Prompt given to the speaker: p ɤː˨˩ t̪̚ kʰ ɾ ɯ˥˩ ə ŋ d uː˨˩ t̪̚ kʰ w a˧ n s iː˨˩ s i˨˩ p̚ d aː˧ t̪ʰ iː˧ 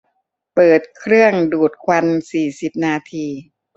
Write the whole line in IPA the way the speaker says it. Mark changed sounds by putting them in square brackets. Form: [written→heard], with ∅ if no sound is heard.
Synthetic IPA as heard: p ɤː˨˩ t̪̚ kʰ ɾ ɯ˥˩ ə ŋ d uː˨˩ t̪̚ kʰ w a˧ n s iː˨˩ s i˨˩ p̚ [d→n] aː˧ t̪ʰ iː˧